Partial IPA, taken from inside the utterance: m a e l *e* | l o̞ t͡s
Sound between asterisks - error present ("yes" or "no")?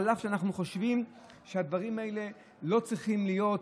no